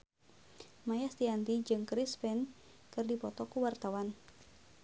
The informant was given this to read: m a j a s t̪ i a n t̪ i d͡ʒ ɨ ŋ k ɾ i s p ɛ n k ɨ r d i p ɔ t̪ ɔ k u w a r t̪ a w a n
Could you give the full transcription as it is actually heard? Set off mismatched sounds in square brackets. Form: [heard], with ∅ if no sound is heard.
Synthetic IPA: m a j a s t̪ i a n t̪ i d͡ʒ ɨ ŋ k ɾ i s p ɛ n k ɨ r d i p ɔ t̪ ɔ k u w a r t̪ a w a n